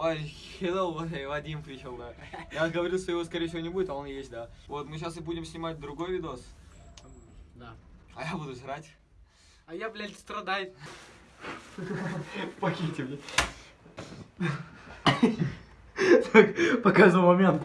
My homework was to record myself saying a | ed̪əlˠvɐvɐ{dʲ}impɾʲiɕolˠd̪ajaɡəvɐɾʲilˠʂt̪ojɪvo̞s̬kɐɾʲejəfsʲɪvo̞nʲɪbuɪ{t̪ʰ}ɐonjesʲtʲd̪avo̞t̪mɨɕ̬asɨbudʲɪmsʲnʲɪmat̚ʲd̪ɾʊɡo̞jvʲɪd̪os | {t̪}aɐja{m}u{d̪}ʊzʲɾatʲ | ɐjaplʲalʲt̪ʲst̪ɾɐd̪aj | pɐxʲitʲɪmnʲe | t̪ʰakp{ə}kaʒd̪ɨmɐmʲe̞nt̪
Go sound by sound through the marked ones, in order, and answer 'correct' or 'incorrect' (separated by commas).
correct, incorrect, incorrect, incorrect, correct, incorrect